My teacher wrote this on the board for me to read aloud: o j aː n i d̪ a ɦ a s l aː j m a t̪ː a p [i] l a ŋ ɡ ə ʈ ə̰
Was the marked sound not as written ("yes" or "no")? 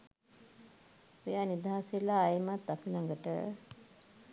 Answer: no